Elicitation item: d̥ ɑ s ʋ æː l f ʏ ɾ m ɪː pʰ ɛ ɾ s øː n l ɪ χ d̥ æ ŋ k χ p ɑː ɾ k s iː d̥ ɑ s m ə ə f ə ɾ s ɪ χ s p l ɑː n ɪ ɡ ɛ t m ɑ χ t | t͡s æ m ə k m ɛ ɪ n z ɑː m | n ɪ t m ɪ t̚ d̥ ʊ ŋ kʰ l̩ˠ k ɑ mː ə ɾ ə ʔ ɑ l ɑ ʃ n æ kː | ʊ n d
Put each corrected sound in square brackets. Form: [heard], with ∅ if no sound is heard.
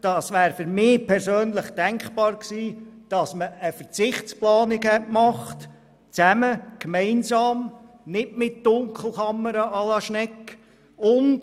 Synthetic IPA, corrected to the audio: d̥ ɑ s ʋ æː [ɾ] f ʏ ɾ m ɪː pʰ ɛ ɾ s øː n l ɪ χ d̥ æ ŋ k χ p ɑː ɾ k s iː d̥ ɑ s m ə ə f ə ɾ [t͡s] ɪ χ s p l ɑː n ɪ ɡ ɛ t m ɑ χ t | t͡s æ m ə k m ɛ ɪ n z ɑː m | n ɪ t m ɪ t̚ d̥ ʊ ŋ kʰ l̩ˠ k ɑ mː ə ɾ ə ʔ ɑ l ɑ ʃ n [ɛ] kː | ʊ n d